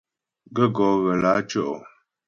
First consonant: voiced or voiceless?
voiced